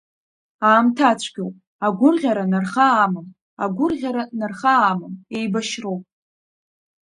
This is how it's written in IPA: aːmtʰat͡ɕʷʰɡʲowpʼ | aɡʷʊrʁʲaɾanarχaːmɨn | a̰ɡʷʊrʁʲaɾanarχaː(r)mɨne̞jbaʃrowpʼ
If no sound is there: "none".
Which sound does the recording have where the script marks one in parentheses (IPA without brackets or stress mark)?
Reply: none